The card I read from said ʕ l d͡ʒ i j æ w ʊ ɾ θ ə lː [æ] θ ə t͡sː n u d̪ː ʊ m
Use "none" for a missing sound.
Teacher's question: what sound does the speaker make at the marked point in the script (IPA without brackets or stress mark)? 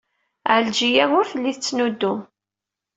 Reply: i